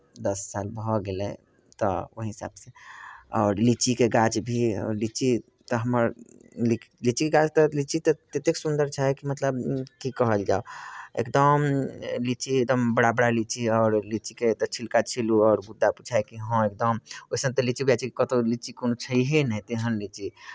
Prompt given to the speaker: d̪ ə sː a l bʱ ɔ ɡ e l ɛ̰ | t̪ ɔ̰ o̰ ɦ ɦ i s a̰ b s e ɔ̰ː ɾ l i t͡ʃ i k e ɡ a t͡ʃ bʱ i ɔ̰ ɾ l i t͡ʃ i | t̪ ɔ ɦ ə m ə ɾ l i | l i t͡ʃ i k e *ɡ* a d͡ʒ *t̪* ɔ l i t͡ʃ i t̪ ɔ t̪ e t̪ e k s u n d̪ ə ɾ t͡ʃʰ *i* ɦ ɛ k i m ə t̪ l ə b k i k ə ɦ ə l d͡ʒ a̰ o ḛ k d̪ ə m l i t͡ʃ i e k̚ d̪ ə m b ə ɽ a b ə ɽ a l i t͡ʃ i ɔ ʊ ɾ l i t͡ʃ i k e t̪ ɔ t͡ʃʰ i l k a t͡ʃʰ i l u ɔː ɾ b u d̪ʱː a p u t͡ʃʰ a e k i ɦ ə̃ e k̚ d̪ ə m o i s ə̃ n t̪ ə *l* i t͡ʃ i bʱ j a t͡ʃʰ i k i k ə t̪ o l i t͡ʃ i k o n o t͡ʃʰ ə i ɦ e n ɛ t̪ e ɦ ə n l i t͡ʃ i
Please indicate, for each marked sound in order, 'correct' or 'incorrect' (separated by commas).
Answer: correct, correct, incorrect, correct